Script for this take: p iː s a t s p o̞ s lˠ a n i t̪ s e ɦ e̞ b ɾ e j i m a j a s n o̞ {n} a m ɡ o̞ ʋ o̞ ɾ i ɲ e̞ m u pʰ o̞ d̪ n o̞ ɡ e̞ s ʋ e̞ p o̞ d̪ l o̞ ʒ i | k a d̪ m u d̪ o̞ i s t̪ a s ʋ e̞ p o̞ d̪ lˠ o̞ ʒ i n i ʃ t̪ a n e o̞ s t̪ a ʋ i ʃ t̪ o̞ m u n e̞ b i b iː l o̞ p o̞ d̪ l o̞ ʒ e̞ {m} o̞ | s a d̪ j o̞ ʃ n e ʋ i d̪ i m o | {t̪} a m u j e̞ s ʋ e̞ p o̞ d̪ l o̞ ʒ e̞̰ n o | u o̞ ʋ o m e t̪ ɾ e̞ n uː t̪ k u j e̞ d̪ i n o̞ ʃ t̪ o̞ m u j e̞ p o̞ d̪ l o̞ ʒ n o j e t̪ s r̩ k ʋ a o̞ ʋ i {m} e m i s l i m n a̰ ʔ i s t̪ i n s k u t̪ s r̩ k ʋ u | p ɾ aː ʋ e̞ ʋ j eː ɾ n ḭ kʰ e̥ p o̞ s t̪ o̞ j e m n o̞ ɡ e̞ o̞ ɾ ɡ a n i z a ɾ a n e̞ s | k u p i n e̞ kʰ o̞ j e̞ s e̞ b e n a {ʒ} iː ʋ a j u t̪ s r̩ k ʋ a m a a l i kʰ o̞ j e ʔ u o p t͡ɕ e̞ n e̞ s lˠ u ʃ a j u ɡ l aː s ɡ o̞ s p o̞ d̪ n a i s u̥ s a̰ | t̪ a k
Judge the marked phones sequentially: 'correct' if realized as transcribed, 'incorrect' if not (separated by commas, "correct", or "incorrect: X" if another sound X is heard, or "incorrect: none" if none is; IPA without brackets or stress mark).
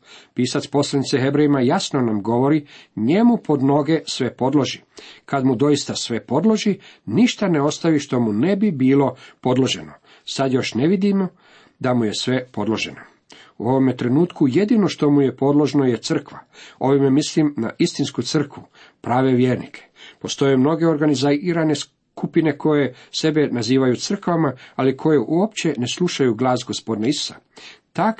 correct, incorrect: n, incorrect: d̪, correct, incorrect: z